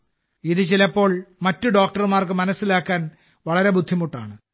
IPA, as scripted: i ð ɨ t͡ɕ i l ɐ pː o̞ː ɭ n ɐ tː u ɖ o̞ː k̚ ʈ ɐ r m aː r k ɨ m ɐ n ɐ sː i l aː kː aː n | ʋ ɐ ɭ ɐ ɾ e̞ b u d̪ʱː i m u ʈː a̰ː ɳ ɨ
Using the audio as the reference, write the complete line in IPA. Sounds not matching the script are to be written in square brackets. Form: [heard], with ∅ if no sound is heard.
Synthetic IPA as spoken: i ð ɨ t͡ɕ i l ɐ pː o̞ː ɭ [m] ɐ tː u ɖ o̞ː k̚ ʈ ɐ r m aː r k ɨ m ɐ n ɐ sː i l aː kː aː n | ʋ ɐ ɭ ɐ ɾ e̞ b u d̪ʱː i m u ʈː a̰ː ɳ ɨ

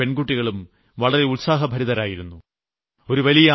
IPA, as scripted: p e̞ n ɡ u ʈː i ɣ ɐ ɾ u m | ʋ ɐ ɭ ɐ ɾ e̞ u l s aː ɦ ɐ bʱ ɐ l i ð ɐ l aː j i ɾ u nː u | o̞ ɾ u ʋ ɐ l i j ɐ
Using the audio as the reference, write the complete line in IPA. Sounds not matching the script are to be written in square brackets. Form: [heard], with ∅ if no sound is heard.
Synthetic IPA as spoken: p e̞ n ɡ u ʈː i ɣ ɐ [ɭ] u m | ʋ ɐ ɭ ɐ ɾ e̞ u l s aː ɦ ɐ bʱ ɐ [ɾ] i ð ɐ [ɾ] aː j i ɾ u nː u | o̞ ɾ u ʋ ɐ l i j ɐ

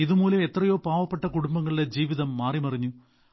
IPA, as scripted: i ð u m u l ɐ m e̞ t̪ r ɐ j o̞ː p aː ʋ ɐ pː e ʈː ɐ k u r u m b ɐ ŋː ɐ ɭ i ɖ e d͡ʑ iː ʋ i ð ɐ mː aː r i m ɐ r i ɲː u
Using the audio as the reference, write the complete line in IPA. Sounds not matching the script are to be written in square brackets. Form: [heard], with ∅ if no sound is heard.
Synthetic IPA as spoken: i ð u m [uː] l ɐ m e̞ t̪ r ɐ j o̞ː p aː ʋ ɐ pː e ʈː ɐ k u [ɽ] u m b ɐ ŋː ɐ ɭ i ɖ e d͡ʑ iː ʋ i ð ɐ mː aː r i m ɐ r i ɲː u

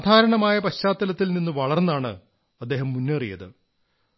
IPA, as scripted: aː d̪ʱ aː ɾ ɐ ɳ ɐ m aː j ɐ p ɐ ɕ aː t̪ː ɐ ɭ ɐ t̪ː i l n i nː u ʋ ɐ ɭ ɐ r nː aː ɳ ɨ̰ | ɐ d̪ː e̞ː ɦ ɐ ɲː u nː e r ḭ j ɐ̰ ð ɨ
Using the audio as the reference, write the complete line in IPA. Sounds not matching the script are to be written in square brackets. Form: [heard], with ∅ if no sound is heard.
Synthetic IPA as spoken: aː d̪ʱ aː ɾ ɐ ɳ ɐ m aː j ɐ p ɐ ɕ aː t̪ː ɐ [l] ɐ t̪ː i l n i nː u ʋ ɐ ɭ ɐ r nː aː ɳ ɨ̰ | ɐ d̪ː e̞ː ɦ ɐ [mː] u nː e r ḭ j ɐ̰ ð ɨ

